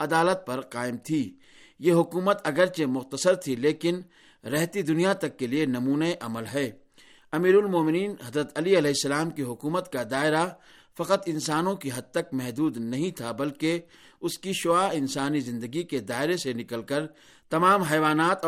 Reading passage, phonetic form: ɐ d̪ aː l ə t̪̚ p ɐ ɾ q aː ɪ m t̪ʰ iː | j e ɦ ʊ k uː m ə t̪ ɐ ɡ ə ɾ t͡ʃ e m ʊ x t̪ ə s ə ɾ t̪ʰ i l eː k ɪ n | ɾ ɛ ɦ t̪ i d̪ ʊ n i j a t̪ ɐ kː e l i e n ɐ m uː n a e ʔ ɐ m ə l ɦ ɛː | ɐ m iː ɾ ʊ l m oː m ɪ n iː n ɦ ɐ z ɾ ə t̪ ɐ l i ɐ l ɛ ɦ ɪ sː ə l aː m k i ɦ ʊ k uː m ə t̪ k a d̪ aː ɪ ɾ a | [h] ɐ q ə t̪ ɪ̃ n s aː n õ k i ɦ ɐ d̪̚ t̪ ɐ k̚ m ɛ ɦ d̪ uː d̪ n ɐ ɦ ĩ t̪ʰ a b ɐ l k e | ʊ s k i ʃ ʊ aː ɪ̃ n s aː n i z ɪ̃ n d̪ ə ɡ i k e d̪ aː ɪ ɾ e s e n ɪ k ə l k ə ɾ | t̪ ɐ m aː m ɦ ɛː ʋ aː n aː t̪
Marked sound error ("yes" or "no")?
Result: yes